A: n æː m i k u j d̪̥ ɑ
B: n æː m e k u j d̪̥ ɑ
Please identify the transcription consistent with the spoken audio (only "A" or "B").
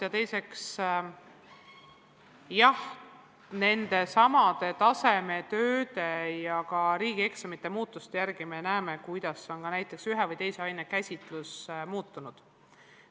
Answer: B